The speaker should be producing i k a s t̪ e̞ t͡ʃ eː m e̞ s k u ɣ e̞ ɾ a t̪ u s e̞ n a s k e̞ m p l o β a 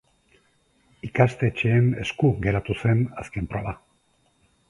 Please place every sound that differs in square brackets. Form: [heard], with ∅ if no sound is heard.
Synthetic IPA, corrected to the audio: i k a s t̪ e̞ t͡ʃ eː [n] e̞ s k u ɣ e̞ ɾ a t̪ u s e̞ n a s k e̞ m p [ɾ] o β a

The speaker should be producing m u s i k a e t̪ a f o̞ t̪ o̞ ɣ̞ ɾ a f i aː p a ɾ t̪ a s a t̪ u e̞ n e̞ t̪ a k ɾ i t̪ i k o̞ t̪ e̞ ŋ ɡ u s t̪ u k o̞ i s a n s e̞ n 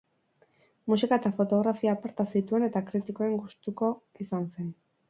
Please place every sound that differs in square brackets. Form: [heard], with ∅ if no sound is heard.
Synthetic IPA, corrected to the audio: m u s i k a e t̪ a f o̞ t̪ o̞ ɣ̞ ɾ a f i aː p a ɾ t̪ a s [i] t̪ u e̞ n e̞ t̪ a k ɾ i t̪ i k o̞ [∅] e̞ ŋ ɡ u s t̪ u k o̞ i s a n s e̞ n

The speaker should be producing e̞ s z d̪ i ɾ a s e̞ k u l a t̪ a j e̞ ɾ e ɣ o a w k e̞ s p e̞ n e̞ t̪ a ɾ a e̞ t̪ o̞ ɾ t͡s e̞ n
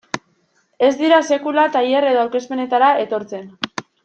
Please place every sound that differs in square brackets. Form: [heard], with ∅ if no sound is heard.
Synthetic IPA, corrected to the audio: e̞ [∅] z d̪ i ɾ a s e̞ k u l a t̪ a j e̞ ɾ e [ð] o a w k e̞ s p e̞ n e̞ t̪ a ɾ a e̞ t̪ o̞ ɾ t͡s e̞ n

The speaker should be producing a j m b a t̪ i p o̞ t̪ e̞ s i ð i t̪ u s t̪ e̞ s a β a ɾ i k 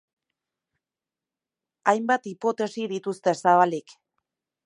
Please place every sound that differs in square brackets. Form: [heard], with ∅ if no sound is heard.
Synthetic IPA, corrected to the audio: a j m b a t̪ i p o̞ t̪ e̞ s i ð i t̪ u s t̪ e̞ s a β a [l] i k

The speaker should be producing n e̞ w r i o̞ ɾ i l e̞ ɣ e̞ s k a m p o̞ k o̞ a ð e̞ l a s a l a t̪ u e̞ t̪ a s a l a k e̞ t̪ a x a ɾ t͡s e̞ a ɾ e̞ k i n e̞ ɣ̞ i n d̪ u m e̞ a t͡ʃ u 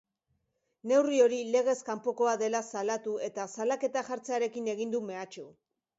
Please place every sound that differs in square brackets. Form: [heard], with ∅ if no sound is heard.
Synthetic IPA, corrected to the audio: n e̞ w r i o̞ ɾ i l e̞ ɣ e̞ s k a m p o̞ k o̞ a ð e̞ l a s a l a t̪ u e̞ t̪ a s a l a k e̞ t̪ a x a ɾ t͡s e̞ a ɾ e̞ k i n e̞ ɣ̞ i n d̪ u m e̞ a t͡ʃ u

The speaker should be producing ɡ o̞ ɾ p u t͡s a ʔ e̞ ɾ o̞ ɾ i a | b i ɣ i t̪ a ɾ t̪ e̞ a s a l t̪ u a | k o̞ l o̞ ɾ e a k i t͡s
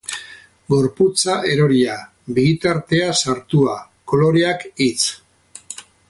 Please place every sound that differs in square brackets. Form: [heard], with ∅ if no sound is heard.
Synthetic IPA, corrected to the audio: ɡ o̞ ɾ p u t͡s a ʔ e̞ ɾ o̞ ɾ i a | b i ɣ i t̪ a ɾ t̪ e̞ a s a [ɾ] t̪ u a | k o̞ l o̞ ɾ e a k i t͡s

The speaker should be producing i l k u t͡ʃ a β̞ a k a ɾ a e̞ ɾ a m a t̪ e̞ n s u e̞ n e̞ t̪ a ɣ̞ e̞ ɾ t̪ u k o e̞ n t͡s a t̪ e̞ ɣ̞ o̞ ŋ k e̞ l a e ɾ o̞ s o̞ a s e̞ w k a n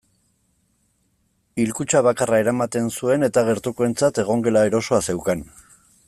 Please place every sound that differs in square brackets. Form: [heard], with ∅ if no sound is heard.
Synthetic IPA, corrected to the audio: i l k u t͡ʃ a β̞ a k a [r] a e̞ ɾ a m a t̪ e̞ n s u e̞ n e̞ t̪ a ɣ̞ e̞ ɾ t̪ u k o e̞ n t͡s a t̪ e̞ ɣ̞ o̞ ŋ [ɡ] e̞ l a e ɾ o̞ s o̞ a s e̞ w k a n

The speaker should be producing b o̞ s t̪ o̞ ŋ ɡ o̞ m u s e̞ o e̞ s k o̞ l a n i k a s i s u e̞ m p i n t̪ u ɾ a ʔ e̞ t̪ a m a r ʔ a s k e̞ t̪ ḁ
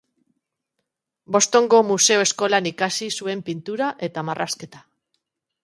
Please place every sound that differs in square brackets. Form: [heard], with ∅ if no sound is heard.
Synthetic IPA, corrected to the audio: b o̞ s t̪ o̞ ŋ ɡ o̞ m u s e̞ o e̞ s k o̞ l a n i k a s i s u e̞ m p i n t̪ u ɾ a ʔ e̞ t̪ a m a r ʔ a s k e̞ t̪ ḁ

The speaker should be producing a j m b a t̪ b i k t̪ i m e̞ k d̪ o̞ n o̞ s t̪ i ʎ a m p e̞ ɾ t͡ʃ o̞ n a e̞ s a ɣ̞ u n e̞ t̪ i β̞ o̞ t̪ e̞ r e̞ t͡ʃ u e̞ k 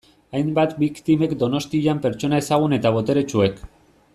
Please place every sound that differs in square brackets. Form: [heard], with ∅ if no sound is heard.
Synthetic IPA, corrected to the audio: a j m b a t̪ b i k t̪ i m e̞ k d̪ o̞ n o̞ s t̪ i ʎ a m p e̞ ɾ t͡ʃ o̞ n a e̞ s a ɣ̞ u n e̞ t̪ [a] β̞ o̞ t̪ e̞ [ɾ] e̞ t͡ʃ u e̞ k

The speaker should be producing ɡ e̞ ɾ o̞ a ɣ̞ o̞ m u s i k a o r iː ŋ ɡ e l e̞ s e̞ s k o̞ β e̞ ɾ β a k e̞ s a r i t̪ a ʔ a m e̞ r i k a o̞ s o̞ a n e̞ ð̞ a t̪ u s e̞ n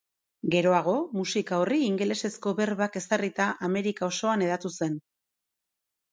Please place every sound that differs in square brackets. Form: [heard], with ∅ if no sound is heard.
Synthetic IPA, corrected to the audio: ɡ e̞ ɾ o̞ a ɣ̞ o̞ m u s i k a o r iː ŋ ɡ e l e̞ s e̞ s k o̞ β e̞ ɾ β a k e̞ s a r i t̪ a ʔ a m e̞ [ɾ] i k a o̞ s o̞ a n e̞ ð̞ a t̪ u s e̞ n

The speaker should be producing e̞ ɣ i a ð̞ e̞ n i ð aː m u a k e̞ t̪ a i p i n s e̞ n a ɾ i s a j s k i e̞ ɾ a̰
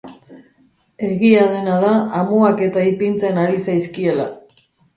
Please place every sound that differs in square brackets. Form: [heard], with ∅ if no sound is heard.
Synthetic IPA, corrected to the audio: e̞ ɣ i a ð̞ e̞ n [a] ð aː m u a k e̞ t̪ a i p i n [t͡s] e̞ n a ɾ i s a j s k i e̞ [l] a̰

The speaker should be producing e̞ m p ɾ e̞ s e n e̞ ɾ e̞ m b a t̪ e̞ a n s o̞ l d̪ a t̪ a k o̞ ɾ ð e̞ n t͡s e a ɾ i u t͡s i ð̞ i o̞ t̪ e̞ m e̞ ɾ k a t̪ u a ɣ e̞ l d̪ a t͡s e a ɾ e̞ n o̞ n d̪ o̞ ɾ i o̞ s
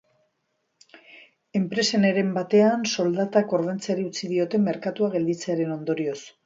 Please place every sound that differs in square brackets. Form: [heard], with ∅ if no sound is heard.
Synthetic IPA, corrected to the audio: e̞ m p ɾ e̞ s e n e̞ ɾ e̞ m b a t̪ e̞ a n s o̞ l d̪ a t̪ a k o̞ ɾ ð e̞ n t͡s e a ɾ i u t͡s i ð̞ i o̞ t̪ e̞ m e̞ ɾ k a t̪ u a ɣ e̞ l d̪ [i] t͡s e a ɾ e̞ n o̞ n d̪ o̞ ɾ i o̞ s

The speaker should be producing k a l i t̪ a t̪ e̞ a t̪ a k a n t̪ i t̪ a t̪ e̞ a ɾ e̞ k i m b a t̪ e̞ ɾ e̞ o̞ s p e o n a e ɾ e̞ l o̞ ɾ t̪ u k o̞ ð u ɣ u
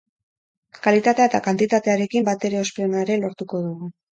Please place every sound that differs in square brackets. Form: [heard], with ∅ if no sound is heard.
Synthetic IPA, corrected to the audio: k a l i t̪ a t̪ e̞ a t̪ a k a n t̪ i t̪ a t̪ e̞ a ɾ e̞ k i m b a t̪ e̞ ɾ e̞ o̞ s p e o n a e ɾ e̞ l o̞ ɾ t̪ u k o̞ ð u ɣ u

